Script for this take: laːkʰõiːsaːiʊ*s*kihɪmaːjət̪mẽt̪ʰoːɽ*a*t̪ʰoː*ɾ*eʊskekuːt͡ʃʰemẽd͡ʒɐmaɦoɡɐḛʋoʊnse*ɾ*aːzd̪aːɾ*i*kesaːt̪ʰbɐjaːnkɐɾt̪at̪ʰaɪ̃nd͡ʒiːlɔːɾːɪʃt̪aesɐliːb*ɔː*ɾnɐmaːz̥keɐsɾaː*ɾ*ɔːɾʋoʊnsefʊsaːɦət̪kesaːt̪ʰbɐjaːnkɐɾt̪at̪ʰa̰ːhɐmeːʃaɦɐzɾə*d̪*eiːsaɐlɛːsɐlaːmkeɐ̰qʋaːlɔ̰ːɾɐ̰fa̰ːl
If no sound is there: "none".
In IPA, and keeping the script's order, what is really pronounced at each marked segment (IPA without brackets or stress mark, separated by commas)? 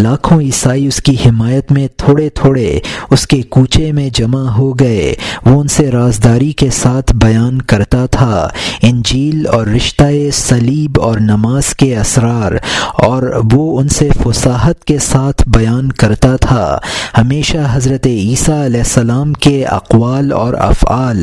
s, e, ɽ, ɾ, i, ɔː, ɾ, t̪